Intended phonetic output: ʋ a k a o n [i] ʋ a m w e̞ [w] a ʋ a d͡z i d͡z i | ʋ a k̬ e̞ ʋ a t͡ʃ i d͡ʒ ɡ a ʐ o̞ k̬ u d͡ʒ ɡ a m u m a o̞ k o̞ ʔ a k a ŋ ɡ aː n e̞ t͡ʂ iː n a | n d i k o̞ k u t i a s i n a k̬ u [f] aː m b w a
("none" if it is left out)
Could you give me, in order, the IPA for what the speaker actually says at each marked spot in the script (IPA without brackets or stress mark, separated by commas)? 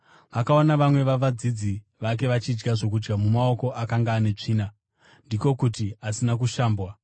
a, ʋ, ʃ